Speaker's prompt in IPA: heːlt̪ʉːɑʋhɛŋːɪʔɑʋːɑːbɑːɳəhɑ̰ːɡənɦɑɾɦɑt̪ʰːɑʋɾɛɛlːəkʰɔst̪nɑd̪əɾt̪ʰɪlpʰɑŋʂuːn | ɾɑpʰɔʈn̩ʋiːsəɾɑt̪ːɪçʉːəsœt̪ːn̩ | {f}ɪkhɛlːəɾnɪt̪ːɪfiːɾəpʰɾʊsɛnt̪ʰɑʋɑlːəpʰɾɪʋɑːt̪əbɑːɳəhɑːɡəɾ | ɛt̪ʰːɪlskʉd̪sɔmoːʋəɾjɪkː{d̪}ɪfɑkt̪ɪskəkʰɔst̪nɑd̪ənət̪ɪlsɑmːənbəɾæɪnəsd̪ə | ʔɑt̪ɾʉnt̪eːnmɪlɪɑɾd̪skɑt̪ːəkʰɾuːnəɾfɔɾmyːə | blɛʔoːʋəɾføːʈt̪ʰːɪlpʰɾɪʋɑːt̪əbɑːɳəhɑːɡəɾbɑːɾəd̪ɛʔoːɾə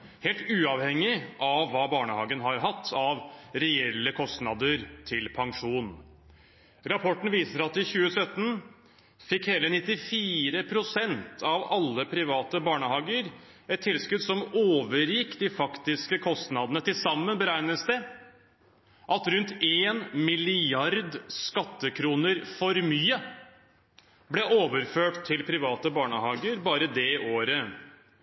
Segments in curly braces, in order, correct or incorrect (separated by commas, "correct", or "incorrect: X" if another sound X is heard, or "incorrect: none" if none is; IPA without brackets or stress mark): correct, correct